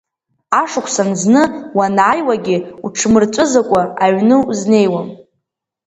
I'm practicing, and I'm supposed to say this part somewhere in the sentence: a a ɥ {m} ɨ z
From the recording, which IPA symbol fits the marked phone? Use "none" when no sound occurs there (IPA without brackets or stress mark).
n